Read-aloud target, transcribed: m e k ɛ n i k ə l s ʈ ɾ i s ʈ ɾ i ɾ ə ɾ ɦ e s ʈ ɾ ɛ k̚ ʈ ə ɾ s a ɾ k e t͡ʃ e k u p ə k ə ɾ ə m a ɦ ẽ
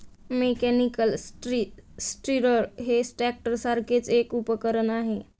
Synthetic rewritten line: m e k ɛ n i k ə l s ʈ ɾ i s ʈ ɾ i ɾ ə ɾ ɦ e s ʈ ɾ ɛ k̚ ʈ ə ɾ s a ɾ k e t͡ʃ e k u p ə k ə ɾ ə n a ɦ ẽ